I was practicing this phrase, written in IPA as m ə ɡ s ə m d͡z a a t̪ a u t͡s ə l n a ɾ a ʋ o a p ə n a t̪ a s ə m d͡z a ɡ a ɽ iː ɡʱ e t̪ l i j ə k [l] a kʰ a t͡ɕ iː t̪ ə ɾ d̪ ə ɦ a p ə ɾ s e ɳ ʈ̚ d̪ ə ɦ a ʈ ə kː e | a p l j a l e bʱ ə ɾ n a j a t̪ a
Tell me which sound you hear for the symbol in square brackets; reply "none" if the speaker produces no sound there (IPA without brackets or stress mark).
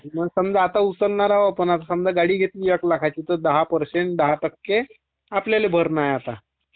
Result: l